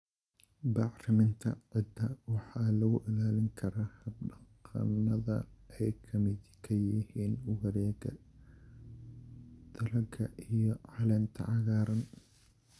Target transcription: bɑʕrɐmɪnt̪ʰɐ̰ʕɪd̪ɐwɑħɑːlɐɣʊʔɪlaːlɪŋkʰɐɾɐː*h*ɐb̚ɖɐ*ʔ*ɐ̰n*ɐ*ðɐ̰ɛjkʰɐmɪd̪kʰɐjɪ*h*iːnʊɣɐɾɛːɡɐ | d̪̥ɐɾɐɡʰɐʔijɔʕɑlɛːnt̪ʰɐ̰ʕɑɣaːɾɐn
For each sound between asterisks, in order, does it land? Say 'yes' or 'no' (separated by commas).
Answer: yes, no, yes, yes